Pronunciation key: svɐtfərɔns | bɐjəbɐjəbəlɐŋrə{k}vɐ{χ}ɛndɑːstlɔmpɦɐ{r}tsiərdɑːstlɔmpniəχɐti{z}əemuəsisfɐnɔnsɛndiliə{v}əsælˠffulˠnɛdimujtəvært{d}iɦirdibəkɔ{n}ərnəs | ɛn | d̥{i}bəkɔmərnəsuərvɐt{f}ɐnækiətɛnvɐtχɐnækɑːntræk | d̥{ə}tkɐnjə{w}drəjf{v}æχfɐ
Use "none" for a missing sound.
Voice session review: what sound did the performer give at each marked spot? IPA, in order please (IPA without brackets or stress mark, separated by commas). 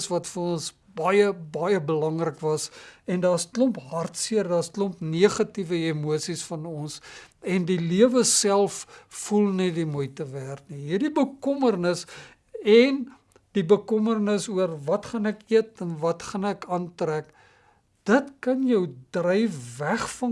k, s, r, v, v, n, m, i, χ, ə, w, v